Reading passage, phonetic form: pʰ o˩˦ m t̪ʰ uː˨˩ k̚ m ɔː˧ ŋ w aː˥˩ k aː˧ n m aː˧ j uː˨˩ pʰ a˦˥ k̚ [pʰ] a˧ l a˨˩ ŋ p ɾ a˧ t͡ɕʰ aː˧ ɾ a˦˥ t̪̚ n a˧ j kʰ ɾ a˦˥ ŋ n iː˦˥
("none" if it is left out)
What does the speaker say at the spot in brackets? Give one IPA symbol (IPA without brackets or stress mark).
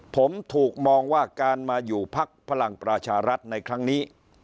pʰ